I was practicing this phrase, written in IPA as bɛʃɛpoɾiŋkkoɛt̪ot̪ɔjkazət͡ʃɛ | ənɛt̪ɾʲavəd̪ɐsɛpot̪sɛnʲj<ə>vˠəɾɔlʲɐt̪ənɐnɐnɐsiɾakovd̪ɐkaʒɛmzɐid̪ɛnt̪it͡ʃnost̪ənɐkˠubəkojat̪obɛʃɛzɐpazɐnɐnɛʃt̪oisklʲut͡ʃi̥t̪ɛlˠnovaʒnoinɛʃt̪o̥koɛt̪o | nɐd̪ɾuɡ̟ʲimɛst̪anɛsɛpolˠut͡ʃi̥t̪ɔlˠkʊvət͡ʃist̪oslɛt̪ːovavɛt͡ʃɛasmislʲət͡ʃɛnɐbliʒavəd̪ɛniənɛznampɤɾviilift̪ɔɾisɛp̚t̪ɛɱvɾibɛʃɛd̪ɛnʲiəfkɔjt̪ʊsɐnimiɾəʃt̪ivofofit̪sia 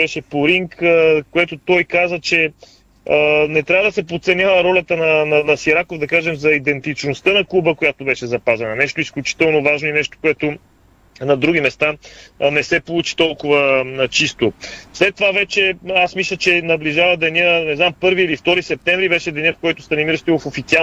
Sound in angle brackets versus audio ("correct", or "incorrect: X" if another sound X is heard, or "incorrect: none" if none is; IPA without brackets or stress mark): incorrect: a